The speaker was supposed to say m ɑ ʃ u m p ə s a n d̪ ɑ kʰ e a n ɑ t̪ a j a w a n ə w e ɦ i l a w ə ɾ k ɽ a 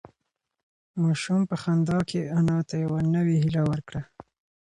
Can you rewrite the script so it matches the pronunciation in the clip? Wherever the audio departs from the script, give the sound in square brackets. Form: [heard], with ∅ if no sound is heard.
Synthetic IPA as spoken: m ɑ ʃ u m p ə [x] a n d̪ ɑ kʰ e a n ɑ t̪ a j a w a n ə w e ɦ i l a w ə ɾ k ɽ a